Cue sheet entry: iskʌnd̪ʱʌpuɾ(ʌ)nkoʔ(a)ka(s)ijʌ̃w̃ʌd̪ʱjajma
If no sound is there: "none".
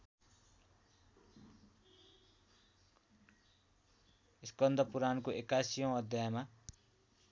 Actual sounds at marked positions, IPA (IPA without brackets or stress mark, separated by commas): a, e, s